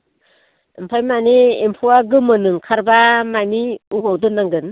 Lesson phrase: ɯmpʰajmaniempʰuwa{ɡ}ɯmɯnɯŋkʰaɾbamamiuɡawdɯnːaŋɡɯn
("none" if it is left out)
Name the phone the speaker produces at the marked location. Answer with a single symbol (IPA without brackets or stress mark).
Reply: ɡ